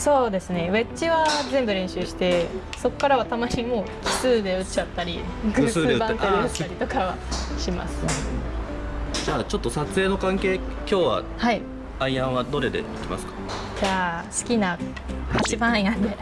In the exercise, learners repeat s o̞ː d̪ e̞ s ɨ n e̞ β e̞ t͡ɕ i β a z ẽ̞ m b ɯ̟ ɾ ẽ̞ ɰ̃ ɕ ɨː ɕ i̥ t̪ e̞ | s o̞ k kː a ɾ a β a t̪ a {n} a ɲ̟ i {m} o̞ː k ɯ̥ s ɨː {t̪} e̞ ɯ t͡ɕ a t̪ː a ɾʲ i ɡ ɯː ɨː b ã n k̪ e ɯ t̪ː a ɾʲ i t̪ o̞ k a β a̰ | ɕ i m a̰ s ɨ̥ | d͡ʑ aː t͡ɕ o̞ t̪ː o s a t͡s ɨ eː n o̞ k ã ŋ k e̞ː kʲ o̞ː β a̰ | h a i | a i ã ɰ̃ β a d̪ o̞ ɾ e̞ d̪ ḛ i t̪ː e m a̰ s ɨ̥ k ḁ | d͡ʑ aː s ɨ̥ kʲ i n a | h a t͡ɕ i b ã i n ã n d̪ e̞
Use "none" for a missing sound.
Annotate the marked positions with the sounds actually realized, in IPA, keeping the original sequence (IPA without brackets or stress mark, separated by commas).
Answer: m, m, d̪